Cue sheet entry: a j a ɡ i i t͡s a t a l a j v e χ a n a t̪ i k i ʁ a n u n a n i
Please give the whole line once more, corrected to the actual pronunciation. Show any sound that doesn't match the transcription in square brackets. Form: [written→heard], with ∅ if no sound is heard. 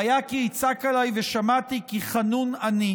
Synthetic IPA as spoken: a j a [ɡ→k] i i t͡s a [t→k] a l a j v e [χ→ʃ] a [n→m] a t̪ i k i [ʁ→χ] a n u n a n i